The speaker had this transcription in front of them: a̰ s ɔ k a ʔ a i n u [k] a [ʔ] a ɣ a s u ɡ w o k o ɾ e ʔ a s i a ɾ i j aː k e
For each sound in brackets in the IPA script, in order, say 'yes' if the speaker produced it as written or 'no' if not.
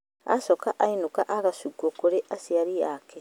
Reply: yes, yes

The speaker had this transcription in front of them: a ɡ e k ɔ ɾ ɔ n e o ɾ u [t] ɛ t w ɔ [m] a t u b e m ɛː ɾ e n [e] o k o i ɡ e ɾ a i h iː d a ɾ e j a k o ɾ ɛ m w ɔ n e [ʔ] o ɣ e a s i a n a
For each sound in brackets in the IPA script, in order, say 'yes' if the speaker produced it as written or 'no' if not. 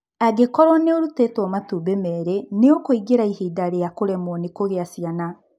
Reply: yes, yes, yes, no

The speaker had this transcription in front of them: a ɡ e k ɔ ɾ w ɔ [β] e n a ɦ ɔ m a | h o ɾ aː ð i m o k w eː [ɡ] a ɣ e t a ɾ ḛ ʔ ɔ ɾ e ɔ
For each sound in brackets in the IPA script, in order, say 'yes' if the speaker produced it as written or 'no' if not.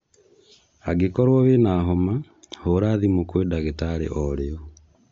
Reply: yes, no

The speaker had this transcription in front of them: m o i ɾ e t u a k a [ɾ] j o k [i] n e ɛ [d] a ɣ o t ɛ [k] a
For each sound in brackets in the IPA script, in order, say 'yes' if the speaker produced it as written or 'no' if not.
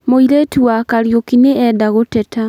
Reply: yes, yes, yes, no

